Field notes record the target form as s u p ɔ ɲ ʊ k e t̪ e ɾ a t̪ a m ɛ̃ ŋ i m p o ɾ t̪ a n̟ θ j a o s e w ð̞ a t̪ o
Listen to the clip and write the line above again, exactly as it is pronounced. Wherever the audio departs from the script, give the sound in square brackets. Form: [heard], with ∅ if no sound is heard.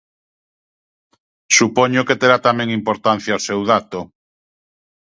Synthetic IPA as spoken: s u p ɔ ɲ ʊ k e t̪ e ɾ a t̪ a m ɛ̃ ŋ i m p o ɾ t̪ a n̟ θ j a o s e w ð̞ a t̪ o